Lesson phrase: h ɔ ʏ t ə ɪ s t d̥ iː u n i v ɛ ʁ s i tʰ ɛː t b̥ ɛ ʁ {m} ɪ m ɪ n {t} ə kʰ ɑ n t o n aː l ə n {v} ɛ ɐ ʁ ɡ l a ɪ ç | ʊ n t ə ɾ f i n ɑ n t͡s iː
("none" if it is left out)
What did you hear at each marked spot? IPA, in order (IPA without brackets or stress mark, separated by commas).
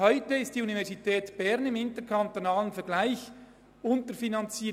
n, t, f